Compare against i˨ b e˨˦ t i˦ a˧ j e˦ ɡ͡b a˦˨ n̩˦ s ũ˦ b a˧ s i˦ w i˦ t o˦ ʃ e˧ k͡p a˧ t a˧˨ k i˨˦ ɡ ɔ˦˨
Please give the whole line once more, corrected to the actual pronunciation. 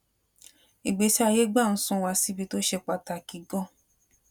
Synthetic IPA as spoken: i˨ ɡ͡b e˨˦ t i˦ a˧ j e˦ ɡ͡b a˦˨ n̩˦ s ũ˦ w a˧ s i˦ b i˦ t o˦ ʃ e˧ k͡p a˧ t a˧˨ k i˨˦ ɡ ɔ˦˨

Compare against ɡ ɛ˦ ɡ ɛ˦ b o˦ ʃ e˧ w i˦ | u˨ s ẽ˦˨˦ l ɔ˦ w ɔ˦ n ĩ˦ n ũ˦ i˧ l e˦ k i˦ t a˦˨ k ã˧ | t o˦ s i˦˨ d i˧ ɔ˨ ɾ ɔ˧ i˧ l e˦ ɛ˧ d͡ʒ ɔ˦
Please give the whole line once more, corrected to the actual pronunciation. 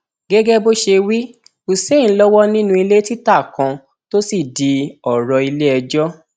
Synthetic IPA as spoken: ɡ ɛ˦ ɡ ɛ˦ b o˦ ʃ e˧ w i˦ | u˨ s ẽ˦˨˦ l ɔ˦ w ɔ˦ n ĩ˦ n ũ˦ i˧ l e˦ t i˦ t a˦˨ k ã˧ | t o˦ s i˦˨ d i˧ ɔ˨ ɾ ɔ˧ i˧ l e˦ ɛ˧ d͡ʒ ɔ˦

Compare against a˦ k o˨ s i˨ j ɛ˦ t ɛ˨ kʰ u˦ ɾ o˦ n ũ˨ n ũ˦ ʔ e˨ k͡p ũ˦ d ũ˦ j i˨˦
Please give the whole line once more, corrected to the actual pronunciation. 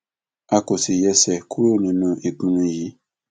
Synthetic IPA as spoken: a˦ k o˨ s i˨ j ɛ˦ s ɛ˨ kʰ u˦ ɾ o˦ n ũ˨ n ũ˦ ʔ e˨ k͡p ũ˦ n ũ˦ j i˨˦

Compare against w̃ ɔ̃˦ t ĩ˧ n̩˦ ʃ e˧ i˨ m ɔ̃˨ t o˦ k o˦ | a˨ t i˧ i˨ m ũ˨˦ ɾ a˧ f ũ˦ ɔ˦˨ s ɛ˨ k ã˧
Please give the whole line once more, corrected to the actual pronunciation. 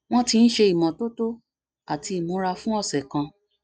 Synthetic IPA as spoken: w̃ ɔ̃˦ t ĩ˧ n̩˦ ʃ e˧ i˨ m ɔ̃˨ t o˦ t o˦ | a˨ t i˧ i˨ m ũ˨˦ ɾ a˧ f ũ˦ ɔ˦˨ s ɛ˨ k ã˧

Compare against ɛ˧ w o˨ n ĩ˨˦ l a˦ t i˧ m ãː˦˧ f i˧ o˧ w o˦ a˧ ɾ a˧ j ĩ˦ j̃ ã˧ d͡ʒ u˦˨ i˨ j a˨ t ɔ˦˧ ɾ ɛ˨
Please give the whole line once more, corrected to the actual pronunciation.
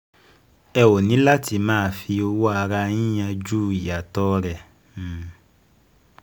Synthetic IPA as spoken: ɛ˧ w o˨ n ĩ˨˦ l a˦ t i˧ m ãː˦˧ f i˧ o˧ w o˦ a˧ ɾ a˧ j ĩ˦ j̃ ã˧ d͡ʒ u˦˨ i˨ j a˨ t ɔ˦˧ ɾ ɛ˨

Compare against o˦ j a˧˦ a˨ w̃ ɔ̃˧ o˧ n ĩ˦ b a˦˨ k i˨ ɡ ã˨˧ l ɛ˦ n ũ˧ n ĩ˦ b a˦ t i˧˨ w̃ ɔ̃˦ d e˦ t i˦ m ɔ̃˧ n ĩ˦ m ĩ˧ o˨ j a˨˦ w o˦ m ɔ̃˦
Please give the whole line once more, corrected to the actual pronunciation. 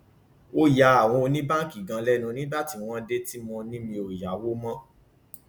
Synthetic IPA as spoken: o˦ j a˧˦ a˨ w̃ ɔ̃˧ o˧ n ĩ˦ b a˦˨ k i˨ ɡ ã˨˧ l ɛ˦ n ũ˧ n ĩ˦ b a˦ t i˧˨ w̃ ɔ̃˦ d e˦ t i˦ m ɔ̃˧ n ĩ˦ m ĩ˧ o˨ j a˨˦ w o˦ m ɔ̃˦

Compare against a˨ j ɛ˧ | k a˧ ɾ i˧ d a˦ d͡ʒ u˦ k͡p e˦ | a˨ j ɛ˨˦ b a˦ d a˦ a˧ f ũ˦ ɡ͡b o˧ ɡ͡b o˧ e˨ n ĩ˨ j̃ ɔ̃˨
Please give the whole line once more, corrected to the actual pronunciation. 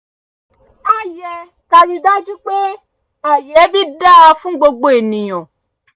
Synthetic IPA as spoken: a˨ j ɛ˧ | k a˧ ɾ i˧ d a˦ d͡ʒ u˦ k͡p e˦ | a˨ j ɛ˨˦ b i˦ d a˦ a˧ f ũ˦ ɡ͡b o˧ ɡ͡b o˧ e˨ n ĩ˨ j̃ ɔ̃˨

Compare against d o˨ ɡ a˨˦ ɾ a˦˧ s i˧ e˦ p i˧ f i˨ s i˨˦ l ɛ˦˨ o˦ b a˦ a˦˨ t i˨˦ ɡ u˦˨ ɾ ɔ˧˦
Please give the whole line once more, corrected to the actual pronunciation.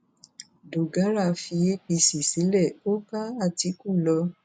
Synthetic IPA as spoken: d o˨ ɡ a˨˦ ɾ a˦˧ f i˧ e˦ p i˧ s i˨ s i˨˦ l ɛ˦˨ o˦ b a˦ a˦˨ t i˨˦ k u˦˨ l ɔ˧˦

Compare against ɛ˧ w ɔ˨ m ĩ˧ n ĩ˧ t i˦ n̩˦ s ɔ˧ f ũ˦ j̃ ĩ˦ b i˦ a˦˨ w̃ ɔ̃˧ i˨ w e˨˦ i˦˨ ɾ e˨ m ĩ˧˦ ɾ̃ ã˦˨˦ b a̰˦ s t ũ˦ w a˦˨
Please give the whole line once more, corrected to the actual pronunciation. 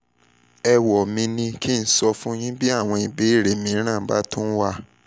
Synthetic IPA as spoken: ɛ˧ w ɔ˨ m ĩ˧ n ĩ˧ k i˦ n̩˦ s ɔ˧ f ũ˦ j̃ ĩ˦ b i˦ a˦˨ w̃ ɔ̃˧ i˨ b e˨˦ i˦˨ ɾ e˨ m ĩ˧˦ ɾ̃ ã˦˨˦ b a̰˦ t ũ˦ w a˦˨

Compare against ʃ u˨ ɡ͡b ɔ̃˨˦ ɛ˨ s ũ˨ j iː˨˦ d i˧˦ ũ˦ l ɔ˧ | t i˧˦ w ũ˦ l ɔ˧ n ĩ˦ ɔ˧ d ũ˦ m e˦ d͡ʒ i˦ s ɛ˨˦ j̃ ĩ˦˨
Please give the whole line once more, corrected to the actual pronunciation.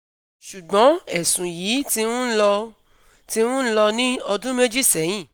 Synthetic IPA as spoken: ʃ u˨ ɡ͡b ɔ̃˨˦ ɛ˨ s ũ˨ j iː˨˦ t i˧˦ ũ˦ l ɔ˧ | t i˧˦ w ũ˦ l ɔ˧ n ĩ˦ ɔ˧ d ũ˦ m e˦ d͡ʒ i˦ s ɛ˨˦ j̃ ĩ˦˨

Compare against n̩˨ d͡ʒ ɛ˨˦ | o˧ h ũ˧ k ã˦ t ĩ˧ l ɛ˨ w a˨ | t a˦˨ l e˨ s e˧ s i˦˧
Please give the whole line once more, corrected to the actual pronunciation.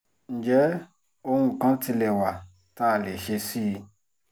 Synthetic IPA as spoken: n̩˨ d͡ʒ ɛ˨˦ | o˧ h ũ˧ k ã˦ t i˧ l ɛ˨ w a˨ | t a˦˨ l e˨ ʃ e˧ s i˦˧

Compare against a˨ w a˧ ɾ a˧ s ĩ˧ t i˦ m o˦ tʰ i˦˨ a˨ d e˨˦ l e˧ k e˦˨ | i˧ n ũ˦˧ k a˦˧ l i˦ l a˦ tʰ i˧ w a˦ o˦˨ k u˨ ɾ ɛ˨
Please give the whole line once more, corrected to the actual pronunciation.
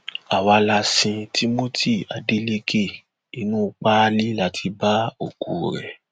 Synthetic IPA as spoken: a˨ w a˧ l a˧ s ĩ˧ t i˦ m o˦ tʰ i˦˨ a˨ d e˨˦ l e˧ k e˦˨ | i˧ n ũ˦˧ k͡p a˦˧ l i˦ l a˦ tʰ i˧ b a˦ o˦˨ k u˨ ɾ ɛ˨

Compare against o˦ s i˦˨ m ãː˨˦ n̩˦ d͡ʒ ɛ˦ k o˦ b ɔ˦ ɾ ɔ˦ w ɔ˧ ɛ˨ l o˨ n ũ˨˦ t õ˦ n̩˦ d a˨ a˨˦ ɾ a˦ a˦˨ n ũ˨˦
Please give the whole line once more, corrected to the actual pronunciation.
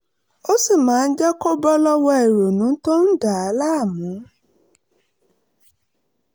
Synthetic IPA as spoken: o˦ s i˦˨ m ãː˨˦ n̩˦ d͡ʒ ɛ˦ k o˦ b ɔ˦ l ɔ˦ w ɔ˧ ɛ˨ ɾ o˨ n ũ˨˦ t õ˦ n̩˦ d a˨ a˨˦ l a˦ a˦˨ m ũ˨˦

